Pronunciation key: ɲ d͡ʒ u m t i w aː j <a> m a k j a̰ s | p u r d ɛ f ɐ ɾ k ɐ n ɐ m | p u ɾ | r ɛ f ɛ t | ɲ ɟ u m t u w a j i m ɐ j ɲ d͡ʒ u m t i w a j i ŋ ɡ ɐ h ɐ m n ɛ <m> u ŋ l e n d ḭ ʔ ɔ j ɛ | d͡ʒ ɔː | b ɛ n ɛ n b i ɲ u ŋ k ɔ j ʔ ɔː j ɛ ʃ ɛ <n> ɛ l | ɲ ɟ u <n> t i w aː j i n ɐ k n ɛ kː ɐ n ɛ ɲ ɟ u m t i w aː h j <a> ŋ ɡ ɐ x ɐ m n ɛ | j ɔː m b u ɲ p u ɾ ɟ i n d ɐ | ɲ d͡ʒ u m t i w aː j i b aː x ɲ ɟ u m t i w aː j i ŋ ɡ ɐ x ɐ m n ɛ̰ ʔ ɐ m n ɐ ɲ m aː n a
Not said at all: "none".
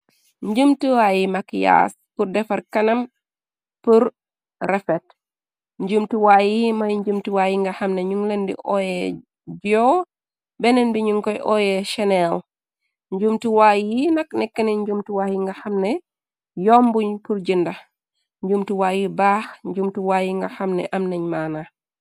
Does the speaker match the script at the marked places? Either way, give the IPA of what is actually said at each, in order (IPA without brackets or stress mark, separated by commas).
i, ɲ, n, m, i